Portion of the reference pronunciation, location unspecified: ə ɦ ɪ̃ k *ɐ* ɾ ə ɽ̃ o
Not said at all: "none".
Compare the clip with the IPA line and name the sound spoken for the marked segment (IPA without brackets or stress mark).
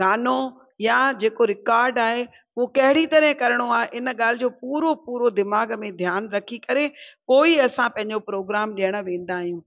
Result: ɐ